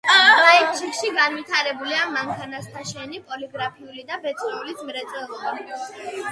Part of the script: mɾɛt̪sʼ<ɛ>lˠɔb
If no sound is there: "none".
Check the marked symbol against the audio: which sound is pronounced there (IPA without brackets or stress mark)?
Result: ɛ